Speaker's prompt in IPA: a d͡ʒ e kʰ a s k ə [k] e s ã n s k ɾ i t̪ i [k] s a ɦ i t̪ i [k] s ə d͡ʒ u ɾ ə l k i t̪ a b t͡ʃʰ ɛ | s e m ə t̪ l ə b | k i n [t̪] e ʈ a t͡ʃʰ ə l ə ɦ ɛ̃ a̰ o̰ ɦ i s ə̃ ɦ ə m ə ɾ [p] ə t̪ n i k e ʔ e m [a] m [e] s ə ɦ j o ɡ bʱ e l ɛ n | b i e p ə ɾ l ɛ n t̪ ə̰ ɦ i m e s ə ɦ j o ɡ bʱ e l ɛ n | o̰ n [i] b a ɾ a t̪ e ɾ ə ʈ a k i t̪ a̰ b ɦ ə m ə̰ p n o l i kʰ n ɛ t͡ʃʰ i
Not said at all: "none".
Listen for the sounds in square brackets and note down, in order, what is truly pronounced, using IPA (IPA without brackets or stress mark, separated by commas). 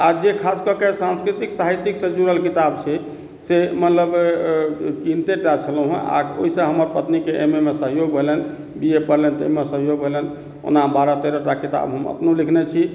k, k, k, t̪, p, e, e, a